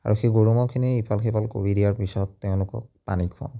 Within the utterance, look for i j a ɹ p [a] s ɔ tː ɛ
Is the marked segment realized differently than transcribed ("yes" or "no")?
yes